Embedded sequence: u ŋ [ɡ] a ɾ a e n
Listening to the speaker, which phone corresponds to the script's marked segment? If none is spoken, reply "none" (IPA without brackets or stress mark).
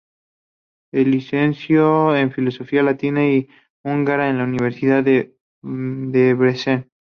ɡ